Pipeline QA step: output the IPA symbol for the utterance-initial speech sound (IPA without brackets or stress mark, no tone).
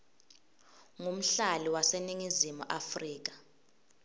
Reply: ŋ